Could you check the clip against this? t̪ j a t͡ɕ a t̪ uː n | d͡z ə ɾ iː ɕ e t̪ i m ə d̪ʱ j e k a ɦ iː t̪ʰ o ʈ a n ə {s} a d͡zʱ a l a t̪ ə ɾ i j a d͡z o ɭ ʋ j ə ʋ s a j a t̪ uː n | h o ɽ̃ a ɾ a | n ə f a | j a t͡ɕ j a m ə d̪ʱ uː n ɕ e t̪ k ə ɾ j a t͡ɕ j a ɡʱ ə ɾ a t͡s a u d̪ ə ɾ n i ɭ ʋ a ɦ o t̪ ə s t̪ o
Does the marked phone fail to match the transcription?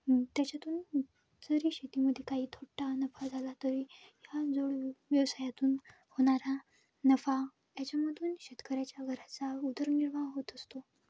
yes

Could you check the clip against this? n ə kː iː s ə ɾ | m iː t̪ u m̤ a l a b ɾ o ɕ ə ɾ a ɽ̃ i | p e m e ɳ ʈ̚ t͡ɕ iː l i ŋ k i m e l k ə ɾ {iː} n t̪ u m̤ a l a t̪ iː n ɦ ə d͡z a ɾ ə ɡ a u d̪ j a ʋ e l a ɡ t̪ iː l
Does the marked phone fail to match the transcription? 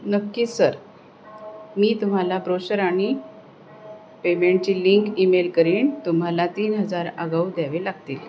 no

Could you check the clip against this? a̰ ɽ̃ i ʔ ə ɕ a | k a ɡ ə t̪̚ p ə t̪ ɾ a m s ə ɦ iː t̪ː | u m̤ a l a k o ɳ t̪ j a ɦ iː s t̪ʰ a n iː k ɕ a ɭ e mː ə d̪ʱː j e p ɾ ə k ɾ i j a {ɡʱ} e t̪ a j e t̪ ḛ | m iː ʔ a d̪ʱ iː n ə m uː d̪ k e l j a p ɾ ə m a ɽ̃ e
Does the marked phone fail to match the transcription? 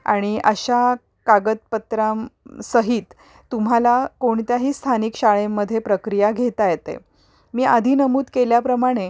no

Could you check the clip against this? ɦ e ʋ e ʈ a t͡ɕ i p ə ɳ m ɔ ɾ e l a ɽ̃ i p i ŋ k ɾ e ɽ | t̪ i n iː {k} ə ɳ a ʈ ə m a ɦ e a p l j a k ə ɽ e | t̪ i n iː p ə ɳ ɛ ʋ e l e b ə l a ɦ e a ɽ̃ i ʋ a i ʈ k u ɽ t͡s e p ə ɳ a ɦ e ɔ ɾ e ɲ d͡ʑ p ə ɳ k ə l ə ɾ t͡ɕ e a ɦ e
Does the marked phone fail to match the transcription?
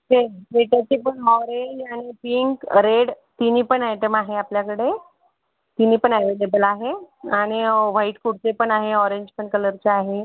yes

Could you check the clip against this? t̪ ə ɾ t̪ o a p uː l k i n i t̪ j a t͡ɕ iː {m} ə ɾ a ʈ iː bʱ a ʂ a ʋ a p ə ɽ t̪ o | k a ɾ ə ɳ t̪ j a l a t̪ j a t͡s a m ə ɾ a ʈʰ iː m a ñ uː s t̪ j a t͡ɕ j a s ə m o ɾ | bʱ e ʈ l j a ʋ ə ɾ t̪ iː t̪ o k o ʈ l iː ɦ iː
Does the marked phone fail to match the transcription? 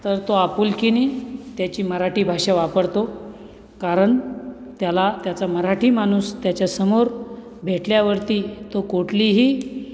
no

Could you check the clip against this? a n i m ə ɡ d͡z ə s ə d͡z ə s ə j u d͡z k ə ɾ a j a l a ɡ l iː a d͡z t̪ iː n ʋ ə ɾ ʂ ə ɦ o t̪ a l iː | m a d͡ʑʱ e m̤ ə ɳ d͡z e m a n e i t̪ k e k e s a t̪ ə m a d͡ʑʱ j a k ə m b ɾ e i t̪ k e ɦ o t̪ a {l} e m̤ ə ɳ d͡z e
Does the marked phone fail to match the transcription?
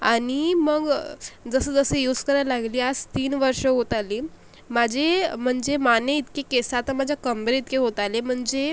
no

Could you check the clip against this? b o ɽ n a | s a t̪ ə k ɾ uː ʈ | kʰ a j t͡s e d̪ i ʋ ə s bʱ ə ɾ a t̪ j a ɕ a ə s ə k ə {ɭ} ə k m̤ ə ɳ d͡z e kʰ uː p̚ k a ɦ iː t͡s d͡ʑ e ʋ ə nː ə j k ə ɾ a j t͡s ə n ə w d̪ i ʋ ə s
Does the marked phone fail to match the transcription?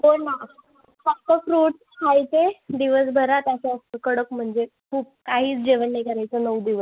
yes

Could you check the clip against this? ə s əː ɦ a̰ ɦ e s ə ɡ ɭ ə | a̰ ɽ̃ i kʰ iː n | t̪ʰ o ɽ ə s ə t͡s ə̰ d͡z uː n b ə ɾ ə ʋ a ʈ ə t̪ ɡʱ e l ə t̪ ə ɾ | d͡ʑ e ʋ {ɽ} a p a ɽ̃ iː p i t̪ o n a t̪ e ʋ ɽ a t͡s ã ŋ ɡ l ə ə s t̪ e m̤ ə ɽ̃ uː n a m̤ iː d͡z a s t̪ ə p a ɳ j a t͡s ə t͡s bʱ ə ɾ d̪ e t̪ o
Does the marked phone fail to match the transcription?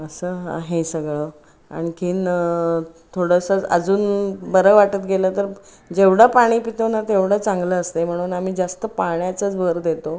no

